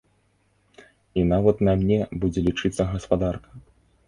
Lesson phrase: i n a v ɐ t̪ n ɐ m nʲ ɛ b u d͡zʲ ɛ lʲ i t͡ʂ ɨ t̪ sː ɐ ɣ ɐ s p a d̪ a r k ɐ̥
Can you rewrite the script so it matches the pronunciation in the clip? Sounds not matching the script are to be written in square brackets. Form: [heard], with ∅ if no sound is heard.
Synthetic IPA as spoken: i n a v ɐ t̪ n ɐ m nʲ ɛ b u d͡zʲ ɛ lʲ i t͡ʂ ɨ t̪ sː ɐ ɣ ɐ s p a d̪ a r k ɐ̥